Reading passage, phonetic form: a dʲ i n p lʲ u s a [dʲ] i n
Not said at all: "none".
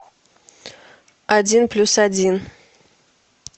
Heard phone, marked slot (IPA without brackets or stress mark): dʲ